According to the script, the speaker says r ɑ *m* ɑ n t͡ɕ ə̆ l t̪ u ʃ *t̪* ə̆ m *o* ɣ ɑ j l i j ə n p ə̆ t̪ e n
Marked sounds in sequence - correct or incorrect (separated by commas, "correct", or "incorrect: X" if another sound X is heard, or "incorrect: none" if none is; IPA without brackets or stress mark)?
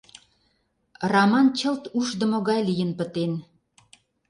correct, incorrect: d̪, correct